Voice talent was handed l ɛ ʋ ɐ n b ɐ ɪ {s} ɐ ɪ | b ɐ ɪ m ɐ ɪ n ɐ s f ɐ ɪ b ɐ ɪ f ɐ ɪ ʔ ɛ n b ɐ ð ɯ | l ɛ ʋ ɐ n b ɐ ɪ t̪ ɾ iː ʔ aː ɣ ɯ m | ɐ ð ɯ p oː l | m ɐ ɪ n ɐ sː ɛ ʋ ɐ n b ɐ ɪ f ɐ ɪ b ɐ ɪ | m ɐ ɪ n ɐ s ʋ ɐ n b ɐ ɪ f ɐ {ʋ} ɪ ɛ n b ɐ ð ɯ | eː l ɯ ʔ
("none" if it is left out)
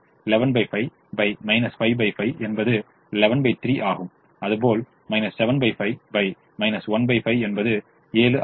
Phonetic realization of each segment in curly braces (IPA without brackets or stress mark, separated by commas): f, none